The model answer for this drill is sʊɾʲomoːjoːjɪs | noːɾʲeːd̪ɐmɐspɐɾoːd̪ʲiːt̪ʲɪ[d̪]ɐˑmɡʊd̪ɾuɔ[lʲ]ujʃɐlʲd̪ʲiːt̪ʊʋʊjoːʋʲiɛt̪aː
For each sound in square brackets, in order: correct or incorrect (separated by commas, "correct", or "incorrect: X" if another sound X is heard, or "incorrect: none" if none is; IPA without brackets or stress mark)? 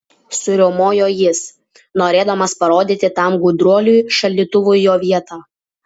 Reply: incorrect: t̪, correct